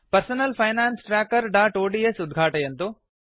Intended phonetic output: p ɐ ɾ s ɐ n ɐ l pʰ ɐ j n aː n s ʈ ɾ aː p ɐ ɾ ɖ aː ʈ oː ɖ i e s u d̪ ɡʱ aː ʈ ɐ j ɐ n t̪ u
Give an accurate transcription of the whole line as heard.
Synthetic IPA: p ɐ ɾ s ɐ n ɐ l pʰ ɐ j n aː n s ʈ ɾ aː k ɐ ɾ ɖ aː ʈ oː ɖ i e s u d̪ ɡʱ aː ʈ ɐ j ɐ n t̪ u